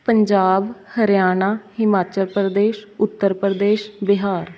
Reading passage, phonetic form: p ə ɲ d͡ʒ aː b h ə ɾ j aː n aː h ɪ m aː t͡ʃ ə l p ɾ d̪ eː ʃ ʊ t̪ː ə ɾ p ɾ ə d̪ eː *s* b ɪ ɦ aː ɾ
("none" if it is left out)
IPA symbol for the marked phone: ʃ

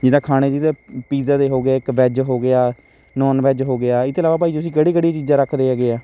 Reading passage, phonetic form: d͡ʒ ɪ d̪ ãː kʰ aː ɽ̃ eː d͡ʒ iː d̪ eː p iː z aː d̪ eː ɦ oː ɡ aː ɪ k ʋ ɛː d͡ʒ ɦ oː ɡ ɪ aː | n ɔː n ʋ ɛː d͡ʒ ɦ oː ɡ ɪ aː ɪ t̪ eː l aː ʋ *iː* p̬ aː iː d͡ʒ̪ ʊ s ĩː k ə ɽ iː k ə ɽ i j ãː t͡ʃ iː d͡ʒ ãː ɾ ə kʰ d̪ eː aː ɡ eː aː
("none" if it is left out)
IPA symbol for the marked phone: aː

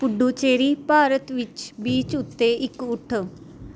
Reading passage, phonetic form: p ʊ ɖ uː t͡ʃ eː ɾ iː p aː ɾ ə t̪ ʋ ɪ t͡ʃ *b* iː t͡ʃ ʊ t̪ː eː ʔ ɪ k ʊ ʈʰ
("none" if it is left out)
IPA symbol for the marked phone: b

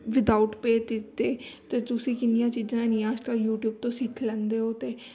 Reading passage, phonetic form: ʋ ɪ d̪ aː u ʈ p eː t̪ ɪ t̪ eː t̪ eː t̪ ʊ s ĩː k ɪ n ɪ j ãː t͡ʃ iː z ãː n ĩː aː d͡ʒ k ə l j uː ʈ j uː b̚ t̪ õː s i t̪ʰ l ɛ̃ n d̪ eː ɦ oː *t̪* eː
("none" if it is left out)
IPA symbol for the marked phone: t̪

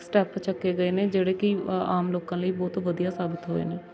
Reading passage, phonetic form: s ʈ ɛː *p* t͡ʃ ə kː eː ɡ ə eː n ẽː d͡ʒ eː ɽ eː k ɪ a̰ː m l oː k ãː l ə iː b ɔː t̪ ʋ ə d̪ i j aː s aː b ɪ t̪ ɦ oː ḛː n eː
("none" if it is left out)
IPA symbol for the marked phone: p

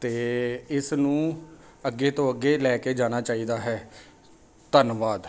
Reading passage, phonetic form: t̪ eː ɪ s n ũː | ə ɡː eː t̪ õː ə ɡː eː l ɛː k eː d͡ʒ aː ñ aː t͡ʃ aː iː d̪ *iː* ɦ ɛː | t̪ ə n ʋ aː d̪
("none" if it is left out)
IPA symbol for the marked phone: aː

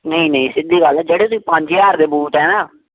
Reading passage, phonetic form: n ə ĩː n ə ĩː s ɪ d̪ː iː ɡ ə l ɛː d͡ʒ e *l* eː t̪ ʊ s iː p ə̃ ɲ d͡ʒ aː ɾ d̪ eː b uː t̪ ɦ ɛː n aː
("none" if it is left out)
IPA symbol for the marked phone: ɽ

